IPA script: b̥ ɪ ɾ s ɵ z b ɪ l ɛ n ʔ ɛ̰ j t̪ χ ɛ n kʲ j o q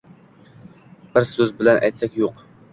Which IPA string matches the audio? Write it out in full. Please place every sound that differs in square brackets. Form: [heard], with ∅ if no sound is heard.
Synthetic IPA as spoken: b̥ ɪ ɾ s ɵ z b ɪ l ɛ n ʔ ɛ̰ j t̪ [s] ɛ [∅] kʲ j o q